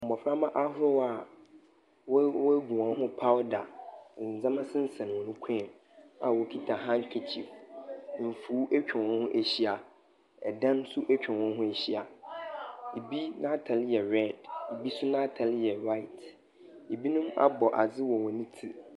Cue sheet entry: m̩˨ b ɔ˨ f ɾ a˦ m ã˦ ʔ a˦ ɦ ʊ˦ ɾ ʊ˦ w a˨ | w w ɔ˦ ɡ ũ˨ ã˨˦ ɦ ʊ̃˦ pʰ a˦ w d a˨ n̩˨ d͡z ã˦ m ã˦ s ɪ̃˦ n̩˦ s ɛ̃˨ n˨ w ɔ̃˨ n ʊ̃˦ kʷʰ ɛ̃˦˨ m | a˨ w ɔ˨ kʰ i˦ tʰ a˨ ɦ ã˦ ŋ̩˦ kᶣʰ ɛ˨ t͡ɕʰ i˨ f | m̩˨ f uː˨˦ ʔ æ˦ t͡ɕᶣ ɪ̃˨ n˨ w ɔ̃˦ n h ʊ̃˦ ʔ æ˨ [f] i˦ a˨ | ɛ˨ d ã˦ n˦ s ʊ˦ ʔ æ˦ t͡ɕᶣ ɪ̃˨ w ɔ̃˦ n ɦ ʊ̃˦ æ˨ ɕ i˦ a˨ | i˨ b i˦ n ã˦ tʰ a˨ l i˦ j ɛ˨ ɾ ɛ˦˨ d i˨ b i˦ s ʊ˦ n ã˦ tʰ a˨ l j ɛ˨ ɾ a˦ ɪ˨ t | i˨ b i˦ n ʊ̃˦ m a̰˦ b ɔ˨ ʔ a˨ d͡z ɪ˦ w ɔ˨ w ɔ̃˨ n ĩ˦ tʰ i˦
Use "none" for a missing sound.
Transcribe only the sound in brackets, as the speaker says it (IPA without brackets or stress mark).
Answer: ɕ